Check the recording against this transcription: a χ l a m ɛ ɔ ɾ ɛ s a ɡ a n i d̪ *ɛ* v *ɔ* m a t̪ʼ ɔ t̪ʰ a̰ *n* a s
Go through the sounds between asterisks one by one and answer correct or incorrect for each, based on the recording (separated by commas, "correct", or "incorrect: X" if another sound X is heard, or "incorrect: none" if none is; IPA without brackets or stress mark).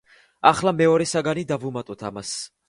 incorrect: a, incorrect: u, incorrect: m